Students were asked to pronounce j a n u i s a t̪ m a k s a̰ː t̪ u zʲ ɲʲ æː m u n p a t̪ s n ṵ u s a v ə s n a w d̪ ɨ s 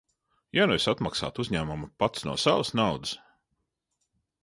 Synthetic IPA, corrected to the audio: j a n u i s a t̪ m a k s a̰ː t̪ u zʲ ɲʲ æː m u m p a t̪ s n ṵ ɔ s a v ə s n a w d̪ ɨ s